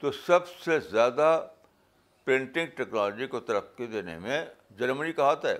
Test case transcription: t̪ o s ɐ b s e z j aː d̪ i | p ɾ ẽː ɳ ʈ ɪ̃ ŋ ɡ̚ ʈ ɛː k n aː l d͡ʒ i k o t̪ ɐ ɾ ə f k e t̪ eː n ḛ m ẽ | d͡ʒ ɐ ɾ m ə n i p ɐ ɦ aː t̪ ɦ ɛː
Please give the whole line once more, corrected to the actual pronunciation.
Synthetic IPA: t̪ o s ɐ b s e z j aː d̪ a | p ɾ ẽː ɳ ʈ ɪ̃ ŋ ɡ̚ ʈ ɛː k n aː l d͡ʒ i k o t̪ ɐ ɾ ə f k e d̪ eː n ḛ m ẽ | d͡ʒ ɐ ɾ m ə n i k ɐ ɦ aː t̪ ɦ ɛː